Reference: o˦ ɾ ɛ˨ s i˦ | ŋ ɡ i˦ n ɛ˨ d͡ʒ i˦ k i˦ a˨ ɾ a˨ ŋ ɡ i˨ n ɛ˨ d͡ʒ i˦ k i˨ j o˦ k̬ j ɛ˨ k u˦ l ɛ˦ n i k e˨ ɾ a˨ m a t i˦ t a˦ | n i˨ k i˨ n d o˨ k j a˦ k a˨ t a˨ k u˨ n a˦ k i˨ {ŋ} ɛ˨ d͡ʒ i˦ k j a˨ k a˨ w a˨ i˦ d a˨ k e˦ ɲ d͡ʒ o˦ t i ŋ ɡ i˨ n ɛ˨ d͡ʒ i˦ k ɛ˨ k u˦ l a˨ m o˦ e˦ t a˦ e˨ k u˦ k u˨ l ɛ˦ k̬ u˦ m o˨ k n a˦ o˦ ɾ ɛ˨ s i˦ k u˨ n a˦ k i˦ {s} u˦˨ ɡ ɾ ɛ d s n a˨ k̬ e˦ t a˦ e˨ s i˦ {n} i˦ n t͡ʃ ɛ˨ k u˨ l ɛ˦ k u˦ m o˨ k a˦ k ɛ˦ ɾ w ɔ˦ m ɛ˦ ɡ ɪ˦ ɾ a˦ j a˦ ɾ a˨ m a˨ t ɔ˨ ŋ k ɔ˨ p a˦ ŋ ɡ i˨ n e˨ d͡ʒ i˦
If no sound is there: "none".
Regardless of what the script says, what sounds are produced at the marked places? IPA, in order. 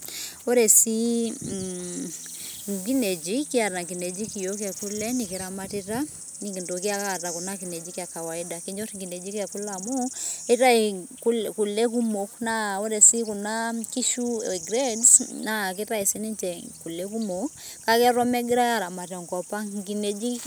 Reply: n, ʃ, n

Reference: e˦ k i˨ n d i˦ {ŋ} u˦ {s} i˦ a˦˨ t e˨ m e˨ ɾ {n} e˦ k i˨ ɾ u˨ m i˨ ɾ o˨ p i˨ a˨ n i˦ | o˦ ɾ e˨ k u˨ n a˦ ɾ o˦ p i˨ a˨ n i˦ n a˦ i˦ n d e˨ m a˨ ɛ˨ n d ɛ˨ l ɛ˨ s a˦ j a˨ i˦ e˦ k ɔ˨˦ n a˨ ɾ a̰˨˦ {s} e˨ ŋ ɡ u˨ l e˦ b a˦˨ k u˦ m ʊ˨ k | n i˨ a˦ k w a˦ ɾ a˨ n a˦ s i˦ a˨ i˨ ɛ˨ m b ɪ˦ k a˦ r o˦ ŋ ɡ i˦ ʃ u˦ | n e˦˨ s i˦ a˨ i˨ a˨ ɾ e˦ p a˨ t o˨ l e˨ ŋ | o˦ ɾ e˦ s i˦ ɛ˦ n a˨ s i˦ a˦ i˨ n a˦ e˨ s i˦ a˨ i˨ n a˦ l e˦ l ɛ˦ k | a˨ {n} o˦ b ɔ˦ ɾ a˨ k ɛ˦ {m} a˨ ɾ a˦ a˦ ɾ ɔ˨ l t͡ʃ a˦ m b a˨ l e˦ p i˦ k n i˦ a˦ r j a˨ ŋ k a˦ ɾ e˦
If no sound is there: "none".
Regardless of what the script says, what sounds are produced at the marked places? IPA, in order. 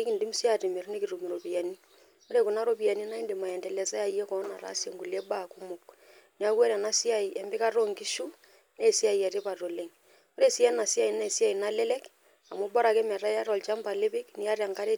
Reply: m, s, n, s, m, m

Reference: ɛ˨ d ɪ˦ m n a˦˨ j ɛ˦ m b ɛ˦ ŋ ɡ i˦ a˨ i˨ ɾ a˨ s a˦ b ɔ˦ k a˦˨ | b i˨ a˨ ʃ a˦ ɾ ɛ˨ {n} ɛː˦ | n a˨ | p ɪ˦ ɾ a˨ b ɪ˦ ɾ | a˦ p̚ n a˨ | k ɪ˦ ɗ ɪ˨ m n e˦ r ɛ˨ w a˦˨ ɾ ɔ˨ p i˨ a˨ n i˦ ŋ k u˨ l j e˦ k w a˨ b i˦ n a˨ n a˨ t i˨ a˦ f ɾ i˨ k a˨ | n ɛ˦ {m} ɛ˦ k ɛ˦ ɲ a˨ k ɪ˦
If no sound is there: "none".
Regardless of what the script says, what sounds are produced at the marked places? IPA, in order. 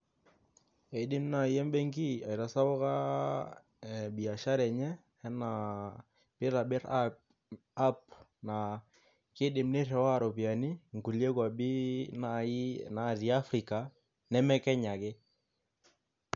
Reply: ɲ, m

